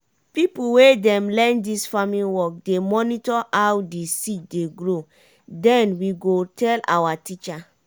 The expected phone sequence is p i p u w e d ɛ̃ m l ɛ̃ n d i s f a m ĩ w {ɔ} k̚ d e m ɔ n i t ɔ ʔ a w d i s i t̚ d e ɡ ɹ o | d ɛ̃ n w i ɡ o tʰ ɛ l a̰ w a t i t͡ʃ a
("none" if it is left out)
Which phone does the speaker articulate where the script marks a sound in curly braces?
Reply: ɔ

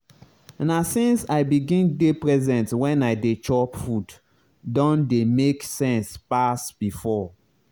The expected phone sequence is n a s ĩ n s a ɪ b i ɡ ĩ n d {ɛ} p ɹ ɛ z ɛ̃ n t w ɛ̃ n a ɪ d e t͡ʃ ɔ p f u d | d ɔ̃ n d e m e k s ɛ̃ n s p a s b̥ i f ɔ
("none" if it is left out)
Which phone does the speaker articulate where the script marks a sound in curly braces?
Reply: e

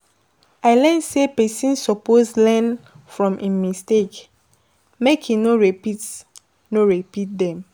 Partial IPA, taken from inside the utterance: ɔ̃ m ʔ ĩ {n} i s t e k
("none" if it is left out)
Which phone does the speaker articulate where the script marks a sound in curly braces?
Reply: m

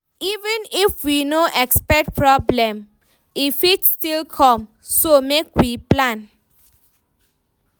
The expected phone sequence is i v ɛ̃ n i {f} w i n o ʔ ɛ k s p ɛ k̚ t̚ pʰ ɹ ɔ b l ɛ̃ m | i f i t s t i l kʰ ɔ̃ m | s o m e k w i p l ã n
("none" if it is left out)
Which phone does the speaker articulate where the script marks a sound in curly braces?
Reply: f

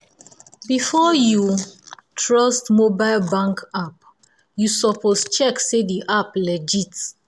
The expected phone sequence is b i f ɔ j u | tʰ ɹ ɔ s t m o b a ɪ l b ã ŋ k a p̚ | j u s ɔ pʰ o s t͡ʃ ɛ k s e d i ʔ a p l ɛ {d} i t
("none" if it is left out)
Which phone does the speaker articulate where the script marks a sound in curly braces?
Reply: d͡ʒ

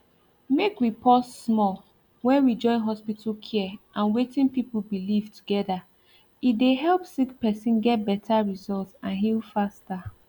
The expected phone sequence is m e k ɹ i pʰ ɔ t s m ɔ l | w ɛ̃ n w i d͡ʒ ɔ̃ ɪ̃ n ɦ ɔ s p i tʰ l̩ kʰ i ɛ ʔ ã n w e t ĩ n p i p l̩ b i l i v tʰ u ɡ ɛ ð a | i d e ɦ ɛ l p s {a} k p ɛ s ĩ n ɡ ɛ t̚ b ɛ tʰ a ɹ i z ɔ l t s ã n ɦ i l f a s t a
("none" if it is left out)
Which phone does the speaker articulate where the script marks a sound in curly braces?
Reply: i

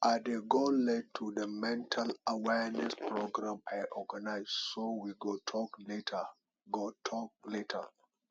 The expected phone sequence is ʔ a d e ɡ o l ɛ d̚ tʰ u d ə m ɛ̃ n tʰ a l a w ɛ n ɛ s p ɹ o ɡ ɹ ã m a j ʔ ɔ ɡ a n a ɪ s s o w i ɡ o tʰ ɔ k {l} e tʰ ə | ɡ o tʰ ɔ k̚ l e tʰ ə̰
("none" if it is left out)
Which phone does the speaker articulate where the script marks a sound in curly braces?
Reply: l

